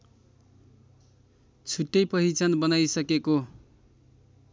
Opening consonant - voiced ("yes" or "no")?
no